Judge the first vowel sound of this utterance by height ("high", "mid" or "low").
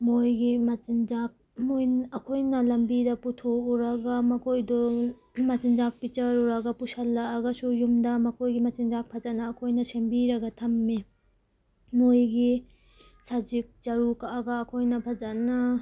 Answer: mid